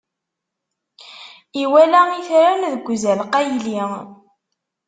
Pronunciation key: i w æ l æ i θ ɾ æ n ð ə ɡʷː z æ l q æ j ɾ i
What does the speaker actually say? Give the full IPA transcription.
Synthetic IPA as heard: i w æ l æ i θ ɾ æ n ð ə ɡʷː z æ l q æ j l i

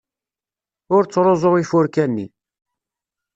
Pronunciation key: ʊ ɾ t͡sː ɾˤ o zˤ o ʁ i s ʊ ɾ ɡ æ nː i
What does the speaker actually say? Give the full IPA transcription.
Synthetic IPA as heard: ʊ ɾ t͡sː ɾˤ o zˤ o ʁ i f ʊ ɾ k æ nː i

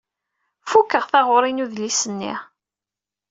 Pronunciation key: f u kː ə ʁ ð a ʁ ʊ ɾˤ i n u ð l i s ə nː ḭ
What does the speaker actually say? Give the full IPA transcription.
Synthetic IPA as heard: f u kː ə ʁ θ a ʁ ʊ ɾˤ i n u ð l i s ə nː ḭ

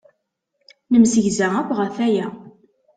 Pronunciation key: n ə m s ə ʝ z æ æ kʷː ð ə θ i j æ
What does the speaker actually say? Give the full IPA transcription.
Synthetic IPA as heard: n ə m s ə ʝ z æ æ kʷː ʁ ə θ æ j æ

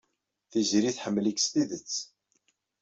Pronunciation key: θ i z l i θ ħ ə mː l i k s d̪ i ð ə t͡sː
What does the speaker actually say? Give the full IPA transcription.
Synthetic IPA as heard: θ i z ɾ i θ ħ ə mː l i k s t̪ i ð ə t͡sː

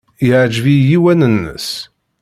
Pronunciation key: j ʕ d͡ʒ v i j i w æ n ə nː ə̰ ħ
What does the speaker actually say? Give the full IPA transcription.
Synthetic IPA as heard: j ʕ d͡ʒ v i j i w æ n ə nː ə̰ s

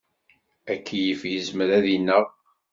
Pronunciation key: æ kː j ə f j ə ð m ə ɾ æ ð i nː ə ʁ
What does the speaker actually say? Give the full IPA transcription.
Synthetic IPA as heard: æ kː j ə f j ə z m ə ɾ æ ð i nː ə ʁ

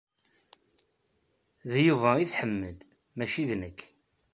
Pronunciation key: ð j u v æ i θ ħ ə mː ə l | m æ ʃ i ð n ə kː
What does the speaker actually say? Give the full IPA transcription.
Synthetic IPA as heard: ð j u v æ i θ ħ ə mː ə l | m æ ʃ i ð n ə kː

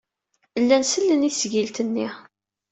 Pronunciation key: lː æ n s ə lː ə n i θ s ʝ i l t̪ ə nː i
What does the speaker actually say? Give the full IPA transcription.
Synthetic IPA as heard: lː æ n s ə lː ə n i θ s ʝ i l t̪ ə nː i

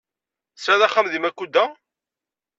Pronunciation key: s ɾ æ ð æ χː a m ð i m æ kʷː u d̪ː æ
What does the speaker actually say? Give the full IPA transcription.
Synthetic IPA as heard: s ɾ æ ð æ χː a m ð i m æ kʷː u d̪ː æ

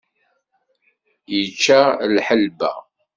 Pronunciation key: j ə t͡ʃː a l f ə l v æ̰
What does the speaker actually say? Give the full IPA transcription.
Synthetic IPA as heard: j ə t͡ʃː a l ħ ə l b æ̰

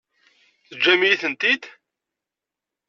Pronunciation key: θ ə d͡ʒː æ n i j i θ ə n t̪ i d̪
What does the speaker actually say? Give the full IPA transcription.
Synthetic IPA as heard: θ ə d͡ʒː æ m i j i θ ə n t̪ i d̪

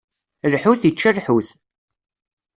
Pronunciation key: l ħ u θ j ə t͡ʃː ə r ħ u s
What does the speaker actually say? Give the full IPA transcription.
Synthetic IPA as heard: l ħ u θ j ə t͡ʃː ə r ħ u θ

